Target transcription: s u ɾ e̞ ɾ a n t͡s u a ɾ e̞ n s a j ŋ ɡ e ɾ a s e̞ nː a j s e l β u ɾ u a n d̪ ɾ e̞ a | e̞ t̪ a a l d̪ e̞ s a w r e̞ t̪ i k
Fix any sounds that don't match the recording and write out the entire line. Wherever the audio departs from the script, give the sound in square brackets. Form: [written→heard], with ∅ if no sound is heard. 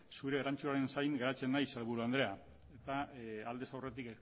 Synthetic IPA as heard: s u ɾ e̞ ɾ a n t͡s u a ɾ e̞ n s a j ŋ ɡ e ɾ a [s→t͡s] e̞ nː a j s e l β u ɾ u a n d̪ ɾ e̞ a | e̞ t̪ a a l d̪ e̞ s a w r e̞ t̪ i k